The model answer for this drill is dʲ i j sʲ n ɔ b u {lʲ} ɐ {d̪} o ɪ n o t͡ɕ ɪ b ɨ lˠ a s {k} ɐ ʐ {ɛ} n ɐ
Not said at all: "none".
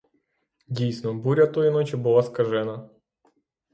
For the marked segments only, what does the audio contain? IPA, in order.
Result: ɾʲ, t̪, k, ɛ

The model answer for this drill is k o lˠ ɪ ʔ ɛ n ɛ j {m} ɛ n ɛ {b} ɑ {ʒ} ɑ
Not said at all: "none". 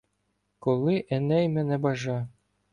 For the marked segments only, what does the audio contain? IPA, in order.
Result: m, b, ʒ

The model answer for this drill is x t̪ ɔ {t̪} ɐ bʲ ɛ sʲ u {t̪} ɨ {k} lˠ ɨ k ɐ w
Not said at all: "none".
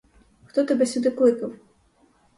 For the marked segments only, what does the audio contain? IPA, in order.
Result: t̪, d̪, k

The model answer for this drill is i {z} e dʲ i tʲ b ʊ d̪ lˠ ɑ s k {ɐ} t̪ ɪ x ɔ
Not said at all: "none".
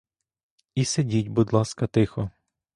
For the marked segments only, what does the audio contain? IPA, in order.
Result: s, ɐ

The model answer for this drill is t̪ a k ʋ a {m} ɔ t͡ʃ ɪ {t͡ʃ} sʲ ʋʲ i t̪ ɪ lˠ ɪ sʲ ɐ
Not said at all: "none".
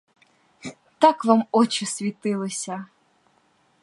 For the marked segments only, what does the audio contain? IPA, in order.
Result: m, none

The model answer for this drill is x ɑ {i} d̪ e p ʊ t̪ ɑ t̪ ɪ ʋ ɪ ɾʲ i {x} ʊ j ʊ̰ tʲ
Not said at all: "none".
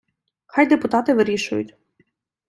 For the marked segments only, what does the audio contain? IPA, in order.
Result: j, ʃ

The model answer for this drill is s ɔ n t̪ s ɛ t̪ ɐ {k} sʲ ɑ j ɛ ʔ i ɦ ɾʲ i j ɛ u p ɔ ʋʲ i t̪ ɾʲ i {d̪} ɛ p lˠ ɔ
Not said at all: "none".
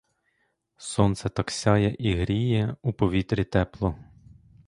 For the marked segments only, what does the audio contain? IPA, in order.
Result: k, t̪

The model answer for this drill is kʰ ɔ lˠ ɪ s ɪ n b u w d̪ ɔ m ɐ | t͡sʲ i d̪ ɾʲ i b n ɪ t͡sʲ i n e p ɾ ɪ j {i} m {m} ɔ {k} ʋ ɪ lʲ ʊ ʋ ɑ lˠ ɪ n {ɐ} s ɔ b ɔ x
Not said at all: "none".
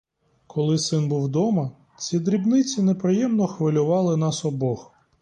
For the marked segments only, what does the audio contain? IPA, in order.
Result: ɛ, n, x, ɑ

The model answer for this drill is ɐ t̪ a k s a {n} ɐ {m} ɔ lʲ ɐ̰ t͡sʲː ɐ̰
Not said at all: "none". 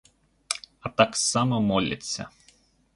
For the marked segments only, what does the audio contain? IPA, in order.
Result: m, m

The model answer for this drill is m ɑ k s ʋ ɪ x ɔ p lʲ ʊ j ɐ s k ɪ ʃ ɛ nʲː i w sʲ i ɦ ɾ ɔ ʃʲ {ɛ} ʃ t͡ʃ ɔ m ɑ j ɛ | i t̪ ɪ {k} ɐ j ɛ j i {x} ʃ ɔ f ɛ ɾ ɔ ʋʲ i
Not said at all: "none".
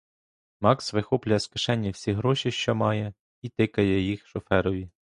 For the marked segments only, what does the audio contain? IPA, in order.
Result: i, k, x

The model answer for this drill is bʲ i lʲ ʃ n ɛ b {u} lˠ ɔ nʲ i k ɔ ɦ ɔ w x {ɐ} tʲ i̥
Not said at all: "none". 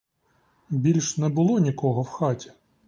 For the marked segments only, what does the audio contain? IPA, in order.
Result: ʊ, ɑ

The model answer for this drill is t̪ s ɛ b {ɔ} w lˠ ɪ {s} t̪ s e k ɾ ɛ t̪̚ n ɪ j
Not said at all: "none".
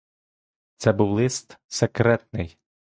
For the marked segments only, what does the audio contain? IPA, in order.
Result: u, s

